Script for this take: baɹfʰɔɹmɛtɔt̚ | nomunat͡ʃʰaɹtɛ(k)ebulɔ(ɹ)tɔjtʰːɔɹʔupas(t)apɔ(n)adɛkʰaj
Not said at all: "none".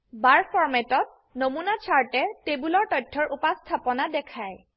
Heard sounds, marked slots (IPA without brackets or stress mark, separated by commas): t, ɹ, tʰ, n